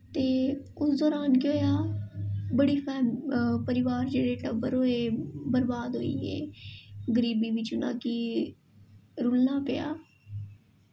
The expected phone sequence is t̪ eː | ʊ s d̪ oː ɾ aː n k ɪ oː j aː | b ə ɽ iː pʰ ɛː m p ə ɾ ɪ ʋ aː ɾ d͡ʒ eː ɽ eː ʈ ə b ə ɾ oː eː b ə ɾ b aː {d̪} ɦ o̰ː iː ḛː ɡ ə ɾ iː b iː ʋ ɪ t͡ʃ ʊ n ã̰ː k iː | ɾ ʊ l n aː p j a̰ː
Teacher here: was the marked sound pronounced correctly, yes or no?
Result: yes